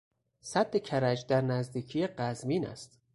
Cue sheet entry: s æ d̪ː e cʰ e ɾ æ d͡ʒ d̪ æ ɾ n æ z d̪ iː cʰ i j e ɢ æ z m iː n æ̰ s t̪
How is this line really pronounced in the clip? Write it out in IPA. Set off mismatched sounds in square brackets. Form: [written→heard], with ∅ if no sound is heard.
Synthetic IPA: s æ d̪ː e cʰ [e→æ] ɾ æ d͡ʒ d̪ æ ɾ n æ z d̪ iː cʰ i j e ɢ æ z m iː n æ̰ s t̪